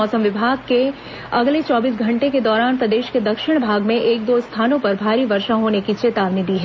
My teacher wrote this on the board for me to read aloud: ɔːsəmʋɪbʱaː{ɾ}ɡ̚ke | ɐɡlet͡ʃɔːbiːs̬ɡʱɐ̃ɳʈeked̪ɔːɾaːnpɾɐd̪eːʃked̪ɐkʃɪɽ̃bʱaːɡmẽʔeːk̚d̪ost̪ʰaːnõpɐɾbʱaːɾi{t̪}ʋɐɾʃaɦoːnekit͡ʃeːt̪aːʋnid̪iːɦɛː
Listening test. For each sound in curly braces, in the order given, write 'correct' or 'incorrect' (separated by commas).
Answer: incorrect, incorrect